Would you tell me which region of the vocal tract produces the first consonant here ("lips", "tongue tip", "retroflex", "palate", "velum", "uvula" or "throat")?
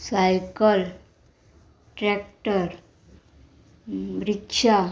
tongue tip